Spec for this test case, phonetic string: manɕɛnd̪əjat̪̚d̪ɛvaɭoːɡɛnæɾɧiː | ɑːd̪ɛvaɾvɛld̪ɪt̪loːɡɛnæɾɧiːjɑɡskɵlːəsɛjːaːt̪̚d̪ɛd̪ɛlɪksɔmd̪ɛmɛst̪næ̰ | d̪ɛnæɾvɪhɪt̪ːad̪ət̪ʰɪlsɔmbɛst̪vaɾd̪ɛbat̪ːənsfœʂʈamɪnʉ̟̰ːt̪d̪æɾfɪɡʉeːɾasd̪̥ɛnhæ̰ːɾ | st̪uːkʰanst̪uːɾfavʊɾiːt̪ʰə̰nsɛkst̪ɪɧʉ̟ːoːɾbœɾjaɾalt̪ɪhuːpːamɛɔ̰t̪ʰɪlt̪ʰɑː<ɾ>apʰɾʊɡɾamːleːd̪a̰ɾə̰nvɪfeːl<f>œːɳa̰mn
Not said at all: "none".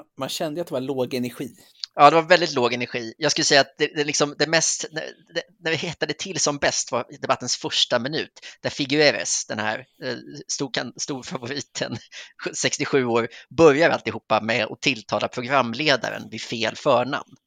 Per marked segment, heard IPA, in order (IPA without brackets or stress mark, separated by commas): l, f